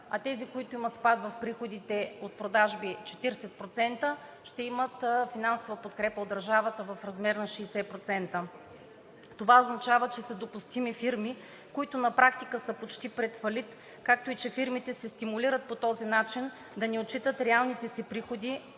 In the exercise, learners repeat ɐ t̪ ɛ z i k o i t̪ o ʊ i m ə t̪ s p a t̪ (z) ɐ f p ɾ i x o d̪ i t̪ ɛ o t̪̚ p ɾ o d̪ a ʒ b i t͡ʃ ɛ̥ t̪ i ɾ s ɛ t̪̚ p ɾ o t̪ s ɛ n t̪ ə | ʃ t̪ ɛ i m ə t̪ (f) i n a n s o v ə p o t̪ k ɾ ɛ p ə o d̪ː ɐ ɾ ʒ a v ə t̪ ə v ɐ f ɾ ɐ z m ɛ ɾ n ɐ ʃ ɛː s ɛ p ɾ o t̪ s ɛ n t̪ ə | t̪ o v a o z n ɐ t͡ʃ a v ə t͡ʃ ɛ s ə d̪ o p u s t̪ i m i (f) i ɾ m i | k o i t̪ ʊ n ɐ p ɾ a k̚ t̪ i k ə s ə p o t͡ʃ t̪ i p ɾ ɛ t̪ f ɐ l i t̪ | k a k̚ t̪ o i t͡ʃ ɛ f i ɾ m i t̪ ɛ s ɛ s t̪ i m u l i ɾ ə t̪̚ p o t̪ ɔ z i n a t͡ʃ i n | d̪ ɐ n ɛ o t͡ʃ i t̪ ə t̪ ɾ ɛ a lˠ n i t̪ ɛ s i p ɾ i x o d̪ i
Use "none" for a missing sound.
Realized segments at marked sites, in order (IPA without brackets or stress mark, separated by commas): v, f, f